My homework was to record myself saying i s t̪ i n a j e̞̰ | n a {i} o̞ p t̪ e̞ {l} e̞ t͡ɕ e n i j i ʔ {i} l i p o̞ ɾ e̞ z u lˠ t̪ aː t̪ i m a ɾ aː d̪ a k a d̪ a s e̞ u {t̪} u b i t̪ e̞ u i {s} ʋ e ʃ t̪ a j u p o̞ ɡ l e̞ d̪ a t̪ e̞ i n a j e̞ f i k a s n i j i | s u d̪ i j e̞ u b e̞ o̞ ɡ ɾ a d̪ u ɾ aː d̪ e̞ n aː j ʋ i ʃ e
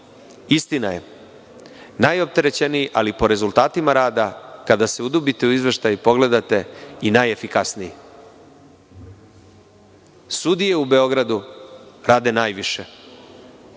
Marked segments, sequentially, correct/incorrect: incorrect, incorrect, incorrect, incorrect, incorrect

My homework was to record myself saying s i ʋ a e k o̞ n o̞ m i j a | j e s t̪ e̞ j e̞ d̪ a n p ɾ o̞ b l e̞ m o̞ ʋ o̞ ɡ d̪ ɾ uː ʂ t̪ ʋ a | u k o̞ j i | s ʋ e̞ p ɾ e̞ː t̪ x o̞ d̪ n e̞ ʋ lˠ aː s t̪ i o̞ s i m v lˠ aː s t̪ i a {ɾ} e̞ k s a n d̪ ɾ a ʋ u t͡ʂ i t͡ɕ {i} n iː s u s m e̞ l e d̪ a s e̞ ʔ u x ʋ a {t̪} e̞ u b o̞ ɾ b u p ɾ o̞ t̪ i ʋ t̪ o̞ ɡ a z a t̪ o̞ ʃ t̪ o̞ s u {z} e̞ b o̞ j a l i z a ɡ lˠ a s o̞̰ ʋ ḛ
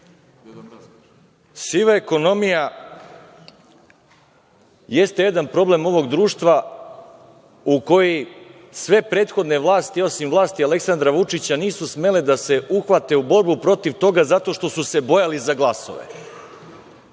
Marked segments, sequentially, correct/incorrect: incorrect, incorrect, correct, incorrect

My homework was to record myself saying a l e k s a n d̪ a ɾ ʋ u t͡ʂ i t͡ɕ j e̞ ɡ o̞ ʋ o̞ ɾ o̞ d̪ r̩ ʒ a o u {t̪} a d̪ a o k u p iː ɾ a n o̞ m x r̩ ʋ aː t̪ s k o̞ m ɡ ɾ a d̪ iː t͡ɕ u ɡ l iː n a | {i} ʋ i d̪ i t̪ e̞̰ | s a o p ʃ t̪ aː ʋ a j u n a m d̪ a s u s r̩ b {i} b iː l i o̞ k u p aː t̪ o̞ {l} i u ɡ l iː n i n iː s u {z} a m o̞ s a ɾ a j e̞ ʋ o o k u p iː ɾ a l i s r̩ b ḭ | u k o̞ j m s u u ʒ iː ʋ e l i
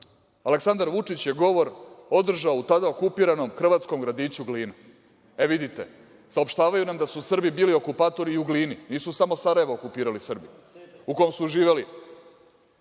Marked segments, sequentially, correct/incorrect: correct, incorrect, correct, incorrect, incorrect

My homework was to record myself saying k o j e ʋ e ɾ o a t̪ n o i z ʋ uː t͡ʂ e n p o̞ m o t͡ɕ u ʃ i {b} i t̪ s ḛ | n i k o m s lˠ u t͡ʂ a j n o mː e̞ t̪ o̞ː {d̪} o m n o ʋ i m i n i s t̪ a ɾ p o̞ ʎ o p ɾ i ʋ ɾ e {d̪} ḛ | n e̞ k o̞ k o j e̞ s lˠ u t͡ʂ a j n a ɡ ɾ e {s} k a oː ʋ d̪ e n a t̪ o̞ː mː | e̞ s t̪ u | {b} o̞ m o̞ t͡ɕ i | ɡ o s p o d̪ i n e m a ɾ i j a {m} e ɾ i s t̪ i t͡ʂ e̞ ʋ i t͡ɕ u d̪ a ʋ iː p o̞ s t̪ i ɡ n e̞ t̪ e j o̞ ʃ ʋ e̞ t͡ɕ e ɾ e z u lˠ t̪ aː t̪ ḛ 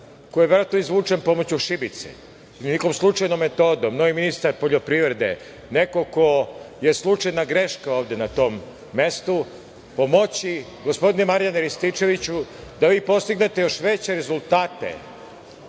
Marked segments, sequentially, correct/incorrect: correct, correct, correct, incorrect, incorrect, incorrect

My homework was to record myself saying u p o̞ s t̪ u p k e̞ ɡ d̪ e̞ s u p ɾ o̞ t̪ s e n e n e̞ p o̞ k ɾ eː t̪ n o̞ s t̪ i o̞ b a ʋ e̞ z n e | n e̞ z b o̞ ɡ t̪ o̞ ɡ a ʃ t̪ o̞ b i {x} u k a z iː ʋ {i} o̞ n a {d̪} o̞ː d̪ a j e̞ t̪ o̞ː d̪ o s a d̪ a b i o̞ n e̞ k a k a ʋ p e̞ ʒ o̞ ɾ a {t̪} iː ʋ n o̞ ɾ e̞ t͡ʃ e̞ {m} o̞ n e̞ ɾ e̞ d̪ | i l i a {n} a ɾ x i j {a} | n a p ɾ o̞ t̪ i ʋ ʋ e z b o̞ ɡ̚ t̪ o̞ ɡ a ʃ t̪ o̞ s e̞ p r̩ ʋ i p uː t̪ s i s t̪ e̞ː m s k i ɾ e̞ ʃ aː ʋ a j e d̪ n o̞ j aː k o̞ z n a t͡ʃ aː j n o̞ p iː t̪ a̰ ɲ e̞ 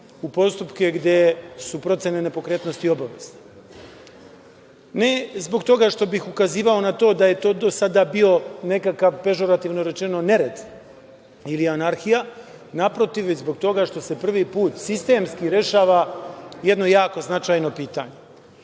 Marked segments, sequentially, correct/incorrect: correct, incorrect, incorrect, correct, incorrect, correct, correct

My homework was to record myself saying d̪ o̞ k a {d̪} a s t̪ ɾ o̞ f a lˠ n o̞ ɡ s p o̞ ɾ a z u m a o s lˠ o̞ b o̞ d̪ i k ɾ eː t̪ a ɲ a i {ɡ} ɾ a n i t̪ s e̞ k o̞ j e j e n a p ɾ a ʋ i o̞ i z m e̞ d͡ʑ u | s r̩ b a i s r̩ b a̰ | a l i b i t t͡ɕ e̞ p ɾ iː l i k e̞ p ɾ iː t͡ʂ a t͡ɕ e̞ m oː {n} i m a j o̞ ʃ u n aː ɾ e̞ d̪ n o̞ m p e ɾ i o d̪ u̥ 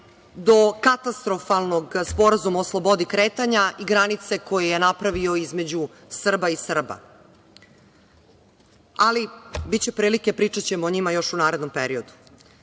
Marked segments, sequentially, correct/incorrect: incorrect, correct, incorrect

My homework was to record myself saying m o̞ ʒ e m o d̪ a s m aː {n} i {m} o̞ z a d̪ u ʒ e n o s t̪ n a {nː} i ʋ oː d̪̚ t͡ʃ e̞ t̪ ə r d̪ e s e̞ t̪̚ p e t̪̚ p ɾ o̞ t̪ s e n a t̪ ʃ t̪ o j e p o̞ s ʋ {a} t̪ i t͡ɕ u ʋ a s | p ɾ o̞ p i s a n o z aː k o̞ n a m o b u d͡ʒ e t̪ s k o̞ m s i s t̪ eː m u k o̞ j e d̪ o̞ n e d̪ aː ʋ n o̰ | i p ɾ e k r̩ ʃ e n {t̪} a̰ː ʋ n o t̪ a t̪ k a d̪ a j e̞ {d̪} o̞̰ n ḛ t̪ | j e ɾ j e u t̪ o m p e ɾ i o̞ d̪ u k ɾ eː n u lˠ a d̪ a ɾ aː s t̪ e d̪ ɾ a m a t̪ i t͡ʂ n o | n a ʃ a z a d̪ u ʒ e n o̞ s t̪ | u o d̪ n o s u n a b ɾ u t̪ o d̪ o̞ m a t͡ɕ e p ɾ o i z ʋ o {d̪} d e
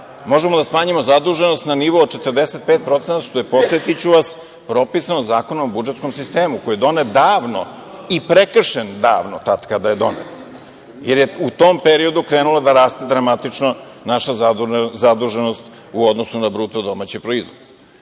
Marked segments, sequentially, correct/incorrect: incorrect, correct, incorrect, incorrect, incorrect, correct, correct

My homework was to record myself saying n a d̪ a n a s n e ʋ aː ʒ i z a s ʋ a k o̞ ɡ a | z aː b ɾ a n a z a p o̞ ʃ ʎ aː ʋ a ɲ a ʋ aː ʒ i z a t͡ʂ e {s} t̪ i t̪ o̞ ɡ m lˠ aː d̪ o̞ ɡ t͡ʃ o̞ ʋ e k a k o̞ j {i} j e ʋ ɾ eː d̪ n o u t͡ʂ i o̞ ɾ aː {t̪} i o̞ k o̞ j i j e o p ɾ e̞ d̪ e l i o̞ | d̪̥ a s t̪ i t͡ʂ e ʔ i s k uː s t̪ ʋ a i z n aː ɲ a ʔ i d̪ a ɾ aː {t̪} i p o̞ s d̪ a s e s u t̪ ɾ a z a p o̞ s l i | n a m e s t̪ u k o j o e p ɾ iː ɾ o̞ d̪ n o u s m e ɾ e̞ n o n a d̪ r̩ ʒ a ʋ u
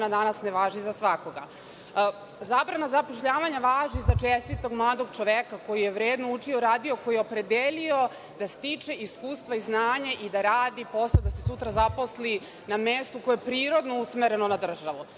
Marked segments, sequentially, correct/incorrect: correct, correct, incorrect, incorrect

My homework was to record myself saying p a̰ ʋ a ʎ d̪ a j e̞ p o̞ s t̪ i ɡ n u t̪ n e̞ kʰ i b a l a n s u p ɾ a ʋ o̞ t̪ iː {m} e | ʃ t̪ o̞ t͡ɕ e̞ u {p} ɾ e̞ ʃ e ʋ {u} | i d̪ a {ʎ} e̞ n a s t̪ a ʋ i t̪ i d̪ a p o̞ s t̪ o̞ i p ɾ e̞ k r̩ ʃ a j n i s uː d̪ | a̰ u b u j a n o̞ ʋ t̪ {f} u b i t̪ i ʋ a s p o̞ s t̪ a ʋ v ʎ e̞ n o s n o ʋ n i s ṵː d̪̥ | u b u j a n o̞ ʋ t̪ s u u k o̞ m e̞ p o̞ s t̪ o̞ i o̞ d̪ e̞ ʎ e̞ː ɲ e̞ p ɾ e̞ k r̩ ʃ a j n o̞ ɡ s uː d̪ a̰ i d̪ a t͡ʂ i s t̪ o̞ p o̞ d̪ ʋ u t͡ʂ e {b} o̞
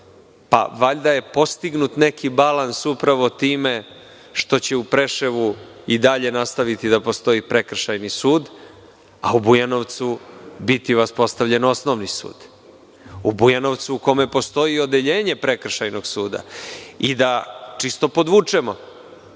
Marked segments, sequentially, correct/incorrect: correct, correct, correct, correct, incorrect, incorrect

